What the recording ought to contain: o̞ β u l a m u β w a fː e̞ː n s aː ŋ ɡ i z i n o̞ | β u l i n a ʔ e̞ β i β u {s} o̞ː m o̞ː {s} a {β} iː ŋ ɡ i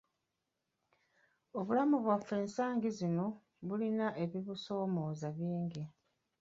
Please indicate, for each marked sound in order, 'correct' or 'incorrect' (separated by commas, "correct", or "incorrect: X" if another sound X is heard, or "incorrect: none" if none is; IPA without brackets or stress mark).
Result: correct, incorrect: z, correct